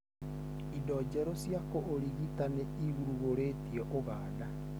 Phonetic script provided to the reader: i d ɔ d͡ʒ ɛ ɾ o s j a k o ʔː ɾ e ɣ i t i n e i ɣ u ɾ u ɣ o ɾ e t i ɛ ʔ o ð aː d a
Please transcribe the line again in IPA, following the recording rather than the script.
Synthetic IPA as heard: i d ɔ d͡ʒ ɛ ɾ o s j a k o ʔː ɾ i ɣ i t a n e i ɣ u ɾ u ɣ o ɾ e t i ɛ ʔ o ɣ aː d a